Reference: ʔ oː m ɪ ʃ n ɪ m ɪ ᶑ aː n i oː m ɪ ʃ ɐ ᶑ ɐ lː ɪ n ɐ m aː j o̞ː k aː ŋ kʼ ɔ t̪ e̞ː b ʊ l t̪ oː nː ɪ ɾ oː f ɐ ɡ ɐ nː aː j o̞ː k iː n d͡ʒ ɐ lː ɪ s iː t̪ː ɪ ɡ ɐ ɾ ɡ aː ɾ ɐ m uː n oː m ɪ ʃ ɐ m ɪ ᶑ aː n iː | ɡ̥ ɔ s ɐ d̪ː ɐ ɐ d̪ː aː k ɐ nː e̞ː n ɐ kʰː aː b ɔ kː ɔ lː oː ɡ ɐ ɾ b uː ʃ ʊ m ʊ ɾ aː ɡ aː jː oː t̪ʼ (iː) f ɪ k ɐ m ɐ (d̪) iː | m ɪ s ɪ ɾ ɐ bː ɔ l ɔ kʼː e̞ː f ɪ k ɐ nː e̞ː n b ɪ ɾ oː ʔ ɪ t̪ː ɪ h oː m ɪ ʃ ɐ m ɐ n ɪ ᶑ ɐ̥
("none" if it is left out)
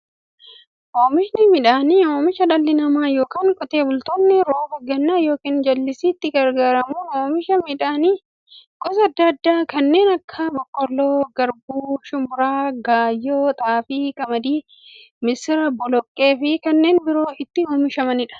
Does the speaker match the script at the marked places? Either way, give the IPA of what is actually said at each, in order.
aː, d̪

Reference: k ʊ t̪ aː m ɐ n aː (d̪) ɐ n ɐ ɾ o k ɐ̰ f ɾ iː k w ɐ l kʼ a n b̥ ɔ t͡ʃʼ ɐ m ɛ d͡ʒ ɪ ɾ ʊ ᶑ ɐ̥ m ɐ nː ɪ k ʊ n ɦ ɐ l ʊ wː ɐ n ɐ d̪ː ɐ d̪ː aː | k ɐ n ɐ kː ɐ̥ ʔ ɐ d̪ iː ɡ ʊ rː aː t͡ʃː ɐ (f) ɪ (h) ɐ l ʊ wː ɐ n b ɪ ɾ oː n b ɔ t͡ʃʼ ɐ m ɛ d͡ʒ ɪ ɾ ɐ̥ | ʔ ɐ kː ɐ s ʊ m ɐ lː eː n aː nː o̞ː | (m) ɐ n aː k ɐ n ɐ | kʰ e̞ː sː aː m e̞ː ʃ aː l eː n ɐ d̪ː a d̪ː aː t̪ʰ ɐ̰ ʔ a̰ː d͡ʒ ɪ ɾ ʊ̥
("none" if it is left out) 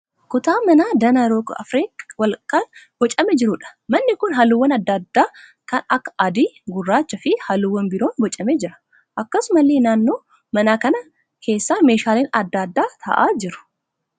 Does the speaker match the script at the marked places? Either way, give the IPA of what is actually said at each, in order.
d̪, f, h, m

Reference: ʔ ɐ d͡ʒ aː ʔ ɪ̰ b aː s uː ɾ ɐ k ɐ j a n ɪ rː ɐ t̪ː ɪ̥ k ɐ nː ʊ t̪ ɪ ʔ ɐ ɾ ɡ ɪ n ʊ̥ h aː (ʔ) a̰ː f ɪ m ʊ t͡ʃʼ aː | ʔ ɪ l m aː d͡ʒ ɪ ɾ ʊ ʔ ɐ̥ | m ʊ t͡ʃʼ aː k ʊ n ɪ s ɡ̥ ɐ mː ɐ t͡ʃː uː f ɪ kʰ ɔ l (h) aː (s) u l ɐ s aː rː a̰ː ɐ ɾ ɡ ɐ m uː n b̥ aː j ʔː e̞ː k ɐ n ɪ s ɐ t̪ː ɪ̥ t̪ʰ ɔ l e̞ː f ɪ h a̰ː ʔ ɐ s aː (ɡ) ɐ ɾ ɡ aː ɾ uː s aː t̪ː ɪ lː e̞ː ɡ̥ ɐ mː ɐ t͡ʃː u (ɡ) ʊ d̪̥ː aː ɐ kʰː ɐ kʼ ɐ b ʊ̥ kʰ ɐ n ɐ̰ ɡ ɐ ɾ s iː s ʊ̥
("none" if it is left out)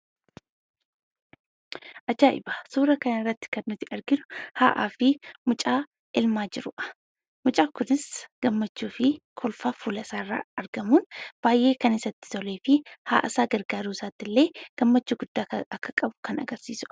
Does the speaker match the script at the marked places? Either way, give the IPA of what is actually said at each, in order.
ʔ, f, f, ɡ, ɡ

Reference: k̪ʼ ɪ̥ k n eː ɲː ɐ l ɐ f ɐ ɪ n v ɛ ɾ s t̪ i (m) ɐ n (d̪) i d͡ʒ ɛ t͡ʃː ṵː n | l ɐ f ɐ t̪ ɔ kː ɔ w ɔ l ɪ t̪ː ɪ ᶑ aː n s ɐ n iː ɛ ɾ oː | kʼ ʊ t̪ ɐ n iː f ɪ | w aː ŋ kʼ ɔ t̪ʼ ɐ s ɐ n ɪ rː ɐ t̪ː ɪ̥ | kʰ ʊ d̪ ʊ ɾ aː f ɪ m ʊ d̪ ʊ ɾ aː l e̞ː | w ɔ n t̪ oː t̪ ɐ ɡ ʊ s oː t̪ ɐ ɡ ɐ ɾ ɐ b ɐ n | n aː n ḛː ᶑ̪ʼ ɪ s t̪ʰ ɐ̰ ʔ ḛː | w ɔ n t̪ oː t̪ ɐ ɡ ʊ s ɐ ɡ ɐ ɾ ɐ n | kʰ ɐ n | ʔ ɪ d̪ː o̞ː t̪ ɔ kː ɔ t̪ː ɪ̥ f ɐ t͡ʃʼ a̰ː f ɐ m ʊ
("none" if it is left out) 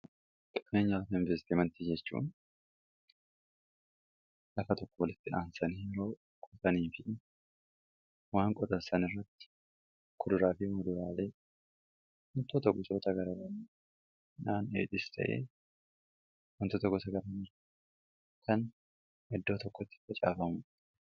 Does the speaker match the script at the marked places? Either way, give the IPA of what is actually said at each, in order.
m, t̪

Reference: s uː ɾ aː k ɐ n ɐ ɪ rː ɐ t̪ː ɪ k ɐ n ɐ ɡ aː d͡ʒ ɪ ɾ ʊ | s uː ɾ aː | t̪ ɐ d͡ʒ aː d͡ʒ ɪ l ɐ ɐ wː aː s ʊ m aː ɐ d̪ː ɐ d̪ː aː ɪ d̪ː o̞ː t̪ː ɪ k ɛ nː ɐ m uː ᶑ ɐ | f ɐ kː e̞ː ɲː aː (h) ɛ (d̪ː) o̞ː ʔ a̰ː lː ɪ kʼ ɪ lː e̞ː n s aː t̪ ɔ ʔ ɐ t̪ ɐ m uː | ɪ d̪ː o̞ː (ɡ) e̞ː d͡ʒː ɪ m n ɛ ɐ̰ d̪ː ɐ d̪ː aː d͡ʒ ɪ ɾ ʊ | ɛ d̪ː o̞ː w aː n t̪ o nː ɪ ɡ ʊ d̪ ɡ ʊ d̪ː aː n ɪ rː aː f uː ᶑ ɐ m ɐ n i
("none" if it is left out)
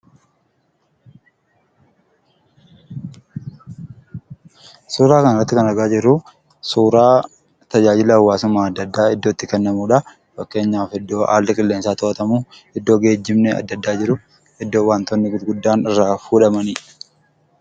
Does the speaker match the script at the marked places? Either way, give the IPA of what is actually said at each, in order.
f, d̪ː, ɡ

